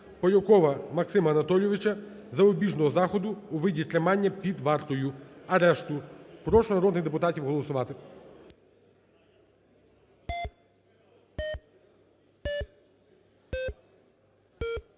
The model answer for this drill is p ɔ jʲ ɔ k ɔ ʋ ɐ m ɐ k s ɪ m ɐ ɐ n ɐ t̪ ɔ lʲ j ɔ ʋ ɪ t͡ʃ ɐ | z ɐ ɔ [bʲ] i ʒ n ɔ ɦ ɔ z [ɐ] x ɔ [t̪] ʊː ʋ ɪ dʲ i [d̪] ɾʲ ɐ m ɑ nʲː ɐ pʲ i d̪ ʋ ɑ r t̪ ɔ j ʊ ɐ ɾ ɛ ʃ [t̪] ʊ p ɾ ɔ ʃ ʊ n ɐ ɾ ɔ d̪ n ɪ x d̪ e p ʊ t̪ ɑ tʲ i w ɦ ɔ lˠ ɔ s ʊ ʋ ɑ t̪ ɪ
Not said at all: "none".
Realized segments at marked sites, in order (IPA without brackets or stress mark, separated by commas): bʲ, ɑ, d̪, t̪, t̪